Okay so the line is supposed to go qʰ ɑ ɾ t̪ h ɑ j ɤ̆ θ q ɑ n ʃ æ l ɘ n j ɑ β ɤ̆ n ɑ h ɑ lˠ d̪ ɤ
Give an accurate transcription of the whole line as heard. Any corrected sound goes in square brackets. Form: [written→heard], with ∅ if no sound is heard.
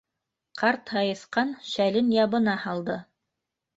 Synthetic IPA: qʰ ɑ ɾ t̪ h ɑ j ɤ̆ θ q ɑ n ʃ æ l ɘ n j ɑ β ɤ̆ n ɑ h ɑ lˠ d̪ ɤ

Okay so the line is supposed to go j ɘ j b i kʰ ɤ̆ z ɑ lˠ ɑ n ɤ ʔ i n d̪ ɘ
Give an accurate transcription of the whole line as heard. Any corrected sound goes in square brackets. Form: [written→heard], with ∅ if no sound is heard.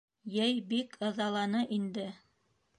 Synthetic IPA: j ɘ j b i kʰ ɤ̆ [z→ð] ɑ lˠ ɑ n ɤ ʔ i n d̪ ɘ

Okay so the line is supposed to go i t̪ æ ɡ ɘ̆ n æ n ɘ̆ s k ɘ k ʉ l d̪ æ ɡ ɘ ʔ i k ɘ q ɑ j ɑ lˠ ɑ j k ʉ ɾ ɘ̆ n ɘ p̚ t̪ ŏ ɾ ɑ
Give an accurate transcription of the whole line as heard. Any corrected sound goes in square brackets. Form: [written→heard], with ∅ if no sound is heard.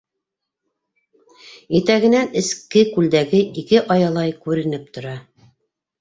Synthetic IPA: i t̪ æ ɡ ɘ̆ n æ n ɘ̆ s k ɘ k ʉ l d̪ æ ɡ ɘ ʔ i k ɘ [q→ʔ] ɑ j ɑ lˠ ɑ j k ʉ ɾ ɘ̆ n ɘ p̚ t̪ ŏ ɾ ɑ

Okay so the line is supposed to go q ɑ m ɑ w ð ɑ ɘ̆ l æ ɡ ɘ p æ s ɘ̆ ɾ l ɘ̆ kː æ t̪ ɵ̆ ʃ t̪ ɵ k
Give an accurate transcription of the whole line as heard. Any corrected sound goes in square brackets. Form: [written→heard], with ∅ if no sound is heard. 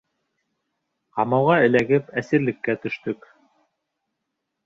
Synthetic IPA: q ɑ m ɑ w [ð→ʁ] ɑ ɘ̆ l æ ɡ ɘ p æ s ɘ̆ ɾ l ɘ̆ kː æ t̪ ɵ̆ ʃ t̪ ɵ k

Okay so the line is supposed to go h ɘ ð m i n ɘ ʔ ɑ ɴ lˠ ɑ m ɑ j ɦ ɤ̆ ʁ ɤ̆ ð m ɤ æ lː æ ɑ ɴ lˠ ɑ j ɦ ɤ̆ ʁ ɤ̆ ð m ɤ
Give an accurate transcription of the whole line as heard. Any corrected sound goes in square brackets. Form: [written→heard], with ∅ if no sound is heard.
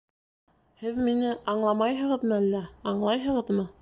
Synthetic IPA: h ɘ ð m i n ɘ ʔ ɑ ɴ lˠ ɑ m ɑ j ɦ ɤ̆ ʁ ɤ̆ ð m ɤ æ lː æ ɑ ɴ lˠ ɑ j ɦ ɤ̆ ʁ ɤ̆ ð m ɤ

